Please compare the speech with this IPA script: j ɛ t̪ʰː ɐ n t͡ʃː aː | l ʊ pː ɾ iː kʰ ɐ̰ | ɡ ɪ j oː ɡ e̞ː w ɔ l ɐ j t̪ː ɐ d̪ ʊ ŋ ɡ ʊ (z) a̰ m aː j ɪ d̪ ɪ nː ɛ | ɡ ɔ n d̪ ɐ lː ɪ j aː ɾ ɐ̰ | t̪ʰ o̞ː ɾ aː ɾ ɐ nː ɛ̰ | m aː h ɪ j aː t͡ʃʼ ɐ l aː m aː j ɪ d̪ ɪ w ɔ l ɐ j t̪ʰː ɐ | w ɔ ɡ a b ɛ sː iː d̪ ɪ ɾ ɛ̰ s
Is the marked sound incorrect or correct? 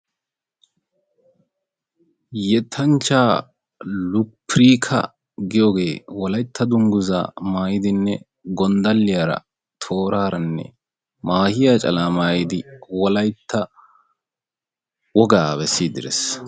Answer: correct